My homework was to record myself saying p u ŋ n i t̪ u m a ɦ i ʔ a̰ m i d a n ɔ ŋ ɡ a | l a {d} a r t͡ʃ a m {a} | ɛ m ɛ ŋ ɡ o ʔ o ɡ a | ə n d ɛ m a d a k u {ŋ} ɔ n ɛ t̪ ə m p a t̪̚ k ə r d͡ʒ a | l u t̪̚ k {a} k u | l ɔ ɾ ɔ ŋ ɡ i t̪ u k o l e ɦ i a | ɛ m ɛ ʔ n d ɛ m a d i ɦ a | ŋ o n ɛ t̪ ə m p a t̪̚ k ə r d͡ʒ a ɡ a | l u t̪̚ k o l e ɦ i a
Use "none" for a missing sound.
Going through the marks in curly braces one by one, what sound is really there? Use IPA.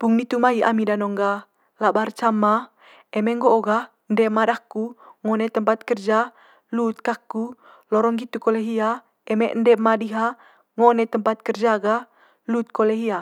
b, a, ŋ, a

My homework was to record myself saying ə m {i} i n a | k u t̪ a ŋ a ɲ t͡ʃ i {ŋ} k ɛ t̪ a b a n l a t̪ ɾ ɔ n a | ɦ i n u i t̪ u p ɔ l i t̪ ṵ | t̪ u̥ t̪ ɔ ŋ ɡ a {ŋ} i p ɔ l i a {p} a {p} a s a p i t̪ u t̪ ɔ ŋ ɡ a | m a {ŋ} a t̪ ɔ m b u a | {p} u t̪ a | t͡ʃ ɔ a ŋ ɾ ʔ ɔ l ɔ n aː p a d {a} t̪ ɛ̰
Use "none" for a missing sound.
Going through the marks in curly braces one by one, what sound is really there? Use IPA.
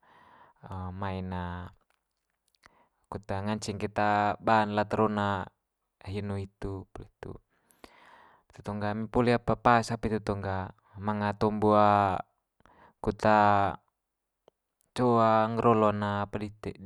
a, ŋ, m, p, p, ŋ, k, i

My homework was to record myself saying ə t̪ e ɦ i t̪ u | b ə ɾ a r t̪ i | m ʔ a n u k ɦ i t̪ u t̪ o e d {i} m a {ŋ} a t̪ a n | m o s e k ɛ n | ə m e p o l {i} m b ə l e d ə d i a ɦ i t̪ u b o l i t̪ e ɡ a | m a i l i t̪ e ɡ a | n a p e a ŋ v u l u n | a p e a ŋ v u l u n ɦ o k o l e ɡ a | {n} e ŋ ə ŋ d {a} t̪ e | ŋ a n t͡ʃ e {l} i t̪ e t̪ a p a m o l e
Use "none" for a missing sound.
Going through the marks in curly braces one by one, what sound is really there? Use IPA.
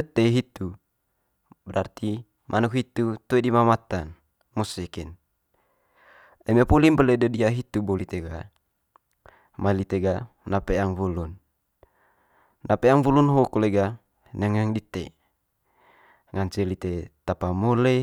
i, m, i, n, i, l

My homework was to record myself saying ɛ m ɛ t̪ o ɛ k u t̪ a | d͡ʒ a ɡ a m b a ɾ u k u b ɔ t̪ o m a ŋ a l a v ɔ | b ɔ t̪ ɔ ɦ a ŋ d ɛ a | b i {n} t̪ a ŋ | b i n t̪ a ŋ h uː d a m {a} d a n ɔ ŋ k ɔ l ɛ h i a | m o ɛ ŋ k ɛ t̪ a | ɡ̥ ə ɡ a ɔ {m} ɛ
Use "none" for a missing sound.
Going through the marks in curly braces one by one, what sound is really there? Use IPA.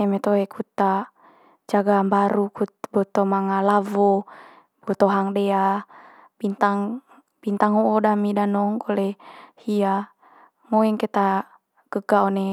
n, i, n

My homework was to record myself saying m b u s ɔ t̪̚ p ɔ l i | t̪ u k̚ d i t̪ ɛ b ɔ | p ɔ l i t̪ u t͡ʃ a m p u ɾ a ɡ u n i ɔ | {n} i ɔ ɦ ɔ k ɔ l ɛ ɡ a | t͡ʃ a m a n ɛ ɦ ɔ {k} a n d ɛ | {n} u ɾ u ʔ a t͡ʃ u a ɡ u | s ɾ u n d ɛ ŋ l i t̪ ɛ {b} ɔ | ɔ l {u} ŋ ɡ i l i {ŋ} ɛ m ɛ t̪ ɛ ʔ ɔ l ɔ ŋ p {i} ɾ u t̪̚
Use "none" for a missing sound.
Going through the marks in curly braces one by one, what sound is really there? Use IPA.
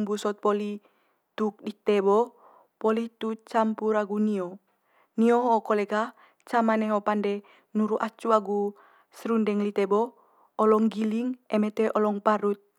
n, p, n, b, ɔ, ŋ, a

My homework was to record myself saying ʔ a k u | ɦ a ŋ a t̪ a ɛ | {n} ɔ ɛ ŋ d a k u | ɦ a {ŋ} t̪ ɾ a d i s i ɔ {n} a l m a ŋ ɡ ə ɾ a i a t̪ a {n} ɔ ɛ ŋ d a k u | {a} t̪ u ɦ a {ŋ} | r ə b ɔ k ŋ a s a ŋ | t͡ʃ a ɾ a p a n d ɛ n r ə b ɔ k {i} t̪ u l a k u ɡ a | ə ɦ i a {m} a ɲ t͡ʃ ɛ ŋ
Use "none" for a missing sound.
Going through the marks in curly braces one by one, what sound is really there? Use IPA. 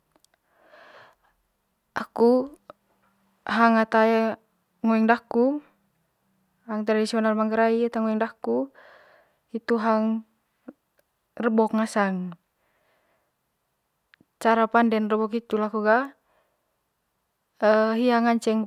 ŋ, ŋ, n, ŋ, i, ŋ, i, ŋ

